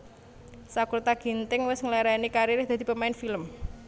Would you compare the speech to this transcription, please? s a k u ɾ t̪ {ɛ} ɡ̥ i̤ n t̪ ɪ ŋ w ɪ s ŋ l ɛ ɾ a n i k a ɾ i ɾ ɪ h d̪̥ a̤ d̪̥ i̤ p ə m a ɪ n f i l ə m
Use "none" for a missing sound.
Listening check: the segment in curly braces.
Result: a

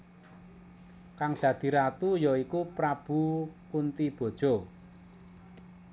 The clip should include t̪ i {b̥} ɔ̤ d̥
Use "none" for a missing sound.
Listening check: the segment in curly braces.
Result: b̥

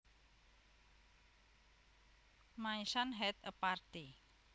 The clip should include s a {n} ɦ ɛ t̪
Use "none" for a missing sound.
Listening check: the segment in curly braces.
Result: n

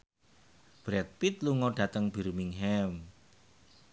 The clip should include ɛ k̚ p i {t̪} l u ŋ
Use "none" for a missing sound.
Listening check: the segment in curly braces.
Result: t̪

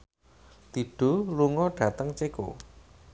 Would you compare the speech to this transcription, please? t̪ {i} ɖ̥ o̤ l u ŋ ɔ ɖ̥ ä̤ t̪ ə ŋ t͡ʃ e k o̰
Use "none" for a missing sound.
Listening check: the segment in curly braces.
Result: i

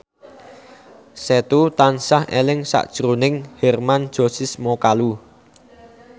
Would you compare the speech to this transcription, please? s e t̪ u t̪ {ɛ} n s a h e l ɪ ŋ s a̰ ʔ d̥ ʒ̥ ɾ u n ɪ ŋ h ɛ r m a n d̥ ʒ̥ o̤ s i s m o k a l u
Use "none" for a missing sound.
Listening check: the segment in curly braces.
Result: a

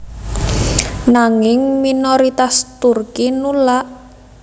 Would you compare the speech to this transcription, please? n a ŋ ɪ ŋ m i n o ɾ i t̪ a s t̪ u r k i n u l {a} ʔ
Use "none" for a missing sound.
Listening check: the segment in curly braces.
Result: a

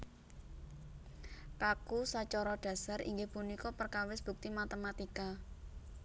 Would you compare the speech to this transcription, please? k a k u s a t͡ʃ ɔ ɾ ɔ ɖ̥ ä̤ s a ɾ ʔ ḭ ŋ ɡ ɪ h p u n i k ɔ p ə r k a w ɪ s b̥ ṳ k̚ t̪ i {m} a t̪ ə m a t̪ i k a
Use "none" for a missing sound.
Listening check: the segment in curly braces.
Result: m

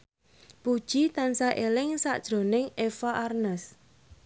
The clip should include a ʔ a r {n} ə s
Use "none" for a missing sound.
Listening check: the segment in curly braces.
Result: n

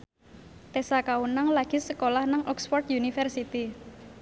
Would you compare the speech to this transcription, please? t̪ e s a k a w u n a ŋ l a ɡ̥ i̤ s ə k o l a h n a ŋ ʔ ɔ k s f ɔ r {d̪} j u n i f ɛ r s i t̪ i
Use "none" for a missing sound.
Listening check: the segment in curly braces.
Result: t̪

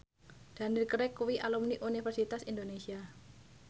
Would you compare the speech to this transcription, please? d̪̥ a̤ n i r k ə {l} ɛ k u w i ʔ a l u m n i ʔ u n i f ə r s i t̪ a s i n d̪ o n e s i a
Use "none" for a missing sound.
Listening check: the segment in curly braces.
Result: ɾ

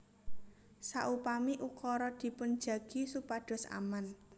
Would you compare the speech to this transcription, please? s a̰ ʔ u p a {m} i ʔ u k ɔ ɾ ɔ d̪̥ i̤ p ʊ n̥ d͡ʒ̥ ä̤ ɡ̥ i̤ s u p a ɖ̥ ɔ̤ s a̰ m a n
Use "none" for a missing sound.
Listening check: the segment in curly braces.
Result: m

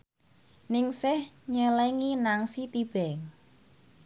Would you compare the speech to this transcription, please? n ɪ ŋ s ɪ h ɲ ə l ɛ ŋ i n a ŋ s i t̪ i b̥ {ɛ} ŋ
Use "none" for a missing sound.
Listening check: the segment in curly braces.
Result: ɛ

